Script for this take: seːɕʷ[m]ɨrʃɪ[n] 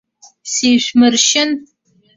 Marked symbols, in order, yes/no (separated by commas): yes, yes